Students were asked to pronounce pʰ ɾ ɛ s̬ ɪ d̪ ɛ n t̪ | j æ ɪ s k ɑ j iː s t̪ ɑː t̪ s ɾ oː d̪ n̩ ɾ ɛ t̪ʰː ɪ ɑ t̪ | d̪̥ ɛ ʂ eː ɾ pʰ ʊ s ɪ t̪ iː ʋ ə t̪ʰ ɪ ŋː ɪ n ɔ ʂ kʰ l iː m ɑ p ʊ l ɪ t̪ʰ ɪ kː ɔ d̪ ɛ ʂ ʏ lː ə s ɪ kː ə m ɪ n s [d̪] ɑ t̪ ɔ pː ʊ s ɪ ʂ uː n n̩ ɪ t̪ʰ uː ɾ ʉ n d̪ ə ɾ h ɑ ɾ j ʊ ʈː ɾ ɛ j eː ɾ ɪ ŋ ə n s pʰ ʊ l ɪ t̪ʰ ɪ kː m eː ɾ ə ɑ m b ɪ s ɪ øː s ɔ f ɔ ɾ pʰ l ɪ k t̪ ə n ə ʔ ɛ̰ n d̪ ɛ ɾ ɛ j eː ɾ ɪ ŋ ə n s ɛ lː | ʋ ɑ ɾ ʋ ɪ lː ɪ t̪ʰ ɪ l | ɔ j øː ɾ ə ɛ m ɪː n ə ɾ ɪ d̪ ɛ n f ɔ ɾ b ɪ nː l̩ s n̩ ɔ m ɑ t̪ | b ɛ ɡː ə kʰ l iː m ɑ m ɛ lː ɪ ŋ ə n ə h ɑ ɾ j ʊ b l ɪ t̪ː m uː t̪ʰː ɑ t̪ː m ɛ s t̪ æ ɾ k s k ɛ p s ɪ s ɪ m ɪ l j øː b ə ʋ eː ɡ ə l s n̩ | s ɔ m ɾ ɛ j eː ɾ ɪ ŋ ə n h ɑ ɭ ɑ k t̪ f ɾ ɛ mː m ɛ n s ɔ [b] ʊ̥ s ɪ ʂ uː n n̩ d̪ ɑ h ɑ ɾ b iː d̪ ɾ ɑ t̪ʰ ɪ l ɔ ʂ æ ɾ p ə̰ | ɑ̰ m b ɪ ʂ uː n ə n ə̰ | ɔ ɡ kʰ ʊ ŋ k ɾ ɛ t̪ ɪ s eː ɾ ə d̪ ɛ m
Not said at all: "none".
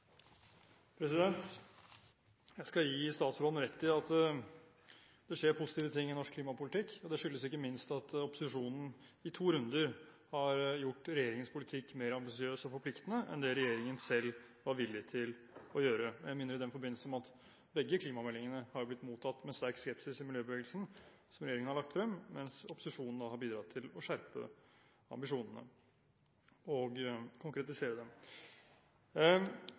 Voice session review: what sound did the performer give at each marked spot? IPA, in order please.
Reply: t̪, p

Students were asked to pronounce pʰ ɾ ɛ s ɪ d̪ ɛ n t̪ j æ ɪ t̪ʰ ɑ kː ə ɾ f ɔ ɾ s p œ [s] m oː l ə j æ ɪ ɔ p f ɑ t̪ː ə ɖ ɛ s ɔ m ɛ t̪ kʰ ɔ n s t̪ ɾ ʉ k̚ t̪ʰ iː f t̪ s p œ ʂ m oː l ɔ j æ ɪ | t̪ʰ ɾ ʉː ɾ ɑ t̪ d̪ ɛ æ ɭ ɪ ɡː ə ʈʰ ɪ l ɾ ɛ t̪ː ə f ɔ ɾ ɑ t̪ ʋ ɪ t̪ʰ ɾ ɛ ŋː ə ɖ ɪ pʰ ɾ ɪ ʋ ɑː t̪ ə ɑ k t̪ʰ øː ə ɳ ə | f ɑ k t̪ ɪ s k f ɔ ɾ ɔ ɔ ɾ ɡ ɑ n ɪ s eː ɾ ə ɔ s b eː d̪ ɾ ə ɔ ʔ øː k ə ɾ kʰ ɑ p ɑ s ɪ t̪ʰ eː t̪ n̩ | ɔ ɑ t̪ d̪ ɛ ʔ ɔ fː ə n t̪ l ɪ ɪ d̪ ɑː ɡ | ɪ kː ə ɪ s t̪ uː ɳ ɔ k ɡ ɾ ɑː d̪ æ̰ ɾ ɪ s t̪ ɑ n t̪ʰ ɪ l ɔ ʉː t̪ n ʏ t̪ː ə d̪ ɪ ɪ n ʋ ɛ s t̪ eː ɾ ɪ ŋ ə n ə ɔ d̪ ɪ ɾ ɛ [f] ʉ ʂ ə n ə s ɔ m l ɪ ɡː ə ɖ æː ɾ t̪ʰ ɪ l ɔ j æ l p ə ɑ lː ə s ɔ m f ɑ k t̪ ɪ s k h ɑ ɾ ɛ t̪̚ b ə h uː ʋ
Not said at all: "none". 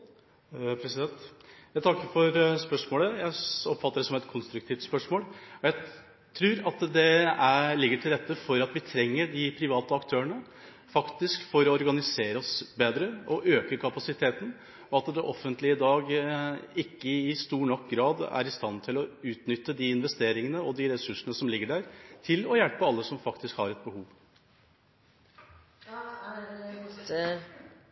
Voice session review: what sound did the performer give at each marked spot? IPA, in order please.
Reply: ʂ, s

